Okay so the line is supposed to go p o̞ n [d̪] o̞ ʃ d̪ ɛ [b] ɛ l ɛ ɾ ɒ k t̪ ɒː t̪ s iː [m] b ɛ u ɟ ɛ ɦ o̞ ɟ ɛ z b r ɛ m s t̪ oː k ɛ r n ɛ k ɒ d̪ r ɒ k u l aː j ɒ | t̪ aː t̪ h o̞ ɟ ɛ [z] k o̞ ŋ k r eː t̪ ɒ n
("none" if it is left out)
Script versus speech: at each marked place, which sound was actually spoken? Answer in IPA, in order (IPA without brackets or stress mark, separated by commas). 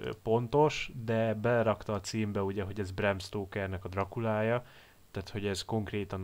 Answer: t̪, b, m, z